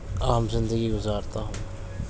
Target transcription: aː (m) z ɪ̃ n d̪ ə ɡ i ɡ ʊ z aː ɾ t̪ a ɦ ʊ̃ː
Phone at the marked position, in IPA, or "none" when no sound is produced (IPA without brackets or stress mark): m